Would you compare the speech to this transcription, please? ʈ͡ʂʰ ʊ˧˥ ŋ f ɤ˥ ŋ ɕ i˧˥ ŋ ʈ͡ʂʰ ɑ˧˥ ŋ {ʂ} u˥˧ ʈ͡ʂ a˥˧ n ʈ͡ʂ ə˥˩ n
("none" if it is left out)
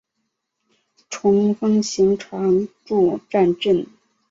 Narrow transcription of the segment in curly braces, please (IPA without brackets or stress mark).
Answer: ʈ͡ʂ